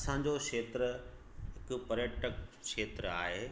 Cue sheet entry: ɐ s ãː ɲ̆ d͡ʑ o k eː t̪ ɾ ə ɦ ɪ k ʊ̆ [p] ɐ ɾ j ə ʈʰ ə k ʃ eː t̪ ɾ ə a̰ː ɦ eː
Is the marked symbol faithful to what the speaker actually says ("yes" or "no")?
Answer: yes